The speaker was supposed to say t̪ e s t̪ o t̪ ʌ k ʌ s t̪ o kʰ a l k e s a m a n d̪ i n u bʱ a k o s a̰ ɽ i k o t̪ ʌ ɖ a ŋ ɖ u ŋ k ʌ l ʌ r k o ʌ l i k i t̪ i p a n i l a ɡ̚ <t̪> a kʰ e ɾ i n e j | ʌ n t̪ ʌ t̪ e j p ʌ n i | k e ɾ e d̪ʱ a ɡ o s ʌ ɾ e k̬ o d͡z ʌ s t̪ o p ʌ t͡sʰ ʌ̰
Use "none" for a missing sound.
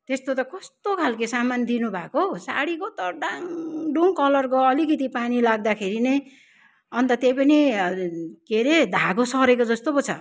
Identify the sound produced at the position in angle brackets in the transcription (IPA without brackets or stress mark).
d̪